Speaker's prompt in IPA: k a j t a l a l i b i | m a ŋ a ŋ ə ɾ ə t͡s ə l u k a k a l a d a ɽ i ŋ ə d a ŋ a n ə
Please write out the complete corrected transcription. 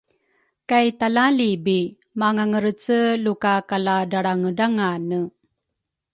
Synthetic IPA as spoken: k a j t a l a l i b i | m a ŋ a ŋ ə ɾ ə t͡s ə l u k a k a l a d a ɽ a ŋ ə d a ŋ a n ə